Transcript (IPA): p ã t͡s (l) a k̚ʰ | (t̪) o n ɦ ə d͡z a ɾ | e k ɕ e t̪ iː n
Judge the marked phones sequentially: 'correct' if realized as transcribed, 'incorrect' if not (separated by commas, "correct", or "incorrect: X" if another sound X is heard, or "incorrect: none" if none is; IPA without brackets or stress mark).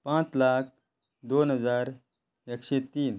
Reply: correct, incorrect: d̪